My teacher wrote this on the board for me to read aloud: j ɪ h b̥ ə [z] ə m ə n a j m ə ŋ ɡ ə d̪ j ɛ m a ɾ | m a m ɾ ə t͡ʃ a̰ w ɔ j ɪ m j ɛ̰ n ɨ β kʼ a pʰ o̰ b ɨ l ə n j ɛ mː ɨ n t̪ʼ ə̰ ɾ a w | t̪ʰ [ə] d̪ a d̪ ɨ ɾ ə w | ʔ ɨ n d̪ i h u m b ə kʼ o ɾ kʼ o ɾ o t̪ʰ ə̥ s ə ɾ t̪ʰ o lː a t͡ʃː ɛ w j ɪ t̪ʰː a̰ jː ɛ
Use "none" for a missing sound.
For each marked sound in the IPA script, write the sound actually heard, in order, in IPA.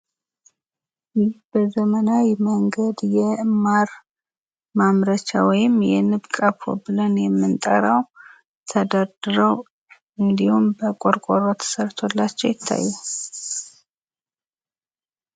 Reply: z, ə

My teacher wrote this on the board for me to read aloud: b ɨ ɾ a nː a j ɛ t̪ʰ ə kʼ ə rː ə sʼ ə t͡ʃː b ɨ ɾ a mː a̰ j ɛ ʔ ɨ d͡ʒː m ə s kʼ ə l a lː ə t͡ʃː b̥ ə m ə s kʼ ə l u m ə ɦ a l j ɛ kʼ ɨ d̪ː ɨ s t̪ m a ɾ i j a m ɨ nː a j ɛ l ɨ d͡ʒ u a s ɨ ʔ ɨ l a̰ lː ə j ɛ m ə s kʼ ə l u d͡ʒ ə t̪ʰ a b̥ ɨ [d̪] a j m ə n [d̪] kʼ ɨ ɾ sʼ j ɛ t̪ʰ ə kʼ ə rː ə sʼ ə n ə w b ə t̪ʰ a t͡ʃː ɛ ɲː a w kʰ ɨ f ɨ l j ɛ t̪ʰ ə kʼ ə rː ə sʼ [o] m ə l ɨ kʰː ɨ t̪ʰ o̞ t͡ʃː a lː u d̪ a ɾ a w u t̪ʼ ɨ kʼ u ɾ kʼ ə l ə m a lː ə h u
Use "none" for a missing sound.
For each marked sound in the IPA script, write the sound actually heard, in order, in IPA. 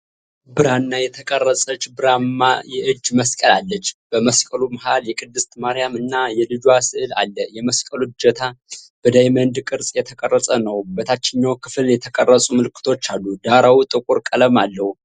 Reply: d̪, d̪, u

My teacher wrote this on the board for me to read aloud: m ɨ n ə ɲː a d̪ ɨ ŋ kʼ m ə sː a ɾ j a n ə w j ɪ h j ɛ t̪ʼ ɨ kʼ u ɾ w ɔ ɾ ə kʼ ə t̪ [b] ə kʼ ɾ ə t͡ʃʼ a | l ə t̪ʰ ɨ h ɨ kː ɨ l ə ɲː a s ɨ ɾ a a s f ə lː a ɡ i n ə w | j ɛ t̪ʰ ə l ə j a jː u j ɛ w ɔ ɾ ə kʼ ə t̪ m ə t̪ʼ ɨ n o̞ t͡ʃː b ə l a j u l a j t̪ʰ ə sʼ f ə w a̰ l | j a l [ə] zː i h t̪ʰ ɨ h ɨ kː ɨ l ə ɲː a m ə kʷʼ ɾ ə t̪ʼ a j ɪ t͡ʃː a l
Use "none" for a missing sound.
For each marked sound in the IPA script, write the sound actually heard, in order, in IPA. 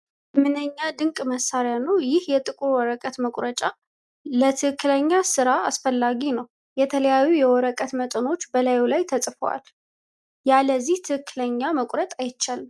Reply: m, ə

